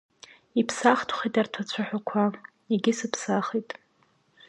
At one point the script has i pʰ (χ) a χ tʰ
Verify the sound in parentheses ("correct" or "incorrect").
incorrect